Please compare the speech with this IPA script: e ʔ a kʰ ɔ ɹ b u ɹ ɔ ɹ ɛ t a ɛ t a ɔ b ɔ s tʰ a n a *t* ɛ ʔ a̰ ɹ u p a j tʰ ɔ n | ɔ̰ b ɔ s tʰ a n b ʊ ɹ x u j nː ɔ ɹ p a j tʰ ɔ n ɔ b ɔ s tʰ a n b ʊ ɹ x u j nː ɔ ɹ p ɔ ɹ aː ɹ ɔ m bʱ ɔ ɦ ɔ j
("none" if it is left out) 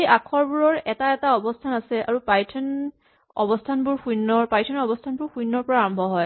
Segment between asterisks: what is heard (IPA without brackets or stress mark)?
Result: s